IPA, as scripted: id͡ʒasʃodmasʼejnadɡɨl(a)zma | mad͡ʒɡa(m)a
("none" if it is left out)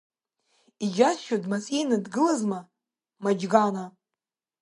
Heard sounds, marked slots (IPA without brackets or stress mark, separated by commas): a, n